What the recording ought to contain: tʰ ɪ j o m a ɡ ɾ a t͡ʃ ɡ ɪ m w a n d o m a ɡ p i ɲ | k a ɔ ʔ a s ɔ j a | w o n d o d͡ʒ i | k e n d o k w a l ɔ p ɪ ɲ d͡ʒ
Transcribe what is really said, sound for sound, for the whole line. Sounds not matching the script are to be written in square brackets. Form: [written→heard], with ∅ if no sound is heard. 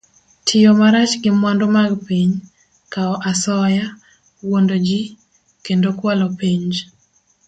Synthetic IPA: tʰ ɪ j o m a [ɡ→∅] ɾ a t͡ʃ ɡ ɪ m w a n d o m a ɡ p i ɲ | k a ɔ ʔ a s ɔ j a | w o n d o d͡ʒ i | k e n d o k w a l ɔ p [ɪ→i] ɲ d͡ʒ